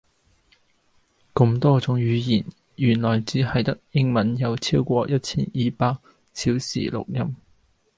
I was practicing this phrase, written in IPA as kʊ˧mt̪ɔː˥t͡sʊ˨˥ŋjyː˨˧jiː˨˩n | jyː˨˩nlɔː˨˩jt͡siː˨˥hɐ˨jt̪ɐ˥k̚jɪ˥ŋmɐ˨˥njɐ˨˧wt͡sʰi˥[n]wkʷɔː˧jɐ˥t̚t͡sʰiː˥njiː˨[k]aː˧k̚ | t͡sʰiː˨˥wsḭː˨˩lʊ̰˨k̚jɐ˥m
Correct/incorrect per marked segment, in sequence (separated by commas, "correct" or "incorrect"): incorrect, incorrect